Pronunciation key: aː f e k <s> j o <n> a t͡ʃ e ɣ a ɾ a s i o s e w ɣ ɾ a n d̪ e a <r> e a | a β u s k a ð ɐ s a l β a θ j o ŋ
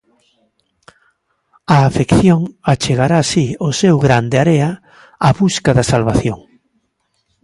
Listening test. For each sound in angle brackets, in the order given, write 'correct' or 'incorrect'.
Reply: incorrect: θ, incorrect: ŋ, incorrect: ɾ

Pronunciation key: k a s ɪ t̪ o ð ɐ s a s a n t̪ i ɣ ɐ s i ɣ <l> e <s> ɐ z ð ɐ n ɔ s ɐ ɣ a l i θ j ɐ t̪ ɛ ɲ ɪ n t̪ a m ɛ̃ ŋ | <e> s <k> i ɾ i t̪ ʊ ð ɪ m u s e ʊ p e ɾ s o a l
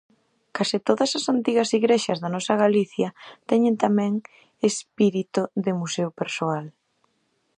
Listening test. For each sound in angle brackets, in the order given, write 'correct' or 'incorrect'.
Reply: incorrect: ɾ, incorrect: ʃ, correct, incorrect: p

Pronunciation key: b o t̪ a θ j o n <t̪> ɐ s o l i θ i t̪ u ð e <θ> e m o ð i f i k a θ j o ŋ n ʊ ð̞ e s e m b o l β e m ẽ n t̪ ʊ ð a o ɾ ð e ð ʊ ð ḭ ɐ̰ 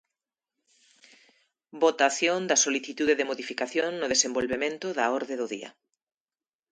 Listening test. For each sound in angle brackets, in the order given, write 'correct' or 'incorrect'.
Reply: incorrect: d̪, incorrect: ð

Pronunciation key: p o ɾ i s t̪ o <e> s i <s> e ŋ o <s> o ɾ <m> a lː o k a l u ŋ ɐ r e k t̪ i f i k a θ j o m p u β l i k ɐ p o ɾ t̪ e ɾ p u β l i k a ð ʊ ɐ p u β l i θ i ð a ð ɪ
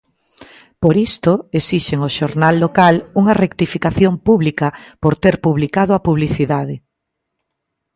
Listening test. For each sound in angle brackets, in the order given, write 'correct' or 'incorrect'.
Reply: correct, incorrect: ʃ, incorrect: ʃ, incorrect: n

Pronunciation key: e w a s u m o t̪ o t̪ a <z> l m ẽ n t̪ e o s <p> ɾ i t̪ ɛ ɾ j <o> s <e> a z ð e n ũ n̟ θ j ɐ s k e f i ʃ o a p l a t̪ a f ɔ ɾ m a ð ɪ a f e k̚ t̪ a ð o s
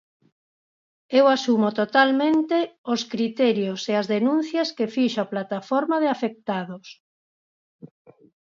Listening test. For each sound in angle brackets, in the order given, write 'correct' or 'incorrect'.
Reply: incorrect: none, incorrect: k, correct, correct

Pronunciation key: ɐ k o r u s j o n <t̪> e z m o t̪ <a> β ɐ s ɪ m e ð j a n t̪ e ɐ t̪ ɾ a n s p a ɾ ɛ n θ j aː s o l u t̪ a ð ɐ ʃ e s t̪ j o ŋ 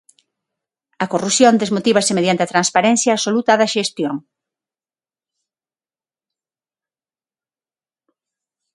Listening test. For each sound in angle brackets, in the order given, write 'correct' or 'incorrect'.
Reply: incorrect: d̪, incorrect: i

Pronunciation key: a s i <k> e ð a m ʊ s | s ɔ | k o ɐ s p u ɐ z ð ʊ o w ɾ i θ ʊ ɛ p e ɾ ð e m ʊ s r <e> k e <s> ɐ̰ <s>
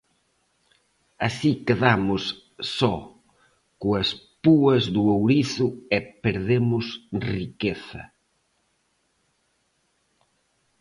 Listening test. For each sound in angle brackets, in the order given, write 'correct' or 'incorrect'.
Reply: correct, incorrect: i, incorrect: θ, incorrect: none

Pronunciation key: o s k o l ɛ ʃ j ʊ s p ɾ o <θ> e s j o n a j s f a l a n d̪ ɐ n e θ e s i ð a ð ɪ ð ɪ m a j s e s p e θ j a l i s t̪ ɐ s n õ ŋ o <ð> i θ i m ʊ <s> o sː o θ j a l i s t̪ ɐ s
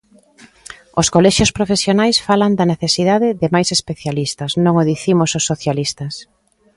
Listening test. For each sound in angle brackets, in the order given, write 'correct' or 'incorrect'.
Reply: incorrect: f, correct, correct

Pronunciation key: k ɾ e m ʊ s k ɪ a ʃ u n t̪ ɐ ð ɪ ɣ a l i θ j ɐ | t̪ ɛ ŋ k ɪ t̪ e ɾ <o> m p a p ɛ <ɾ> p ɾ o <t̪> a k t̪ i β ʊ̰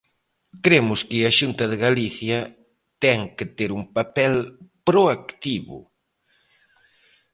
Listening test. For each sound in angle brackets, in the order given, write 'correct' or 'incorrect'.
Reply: incorrect: u, incorrect: l, incorrect: none

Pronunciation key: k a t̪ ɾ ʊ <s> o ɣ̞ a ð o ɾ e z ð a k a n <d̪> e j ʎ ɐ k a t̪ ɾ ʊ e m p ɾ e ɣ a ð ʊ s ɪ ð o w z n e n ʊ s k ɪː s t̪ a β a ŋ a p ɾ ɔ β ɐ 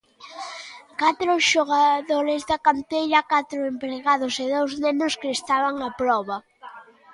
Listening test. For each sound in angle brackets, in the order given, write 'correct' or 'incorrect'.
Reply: incorrect: ʃ, incorrect: t̪

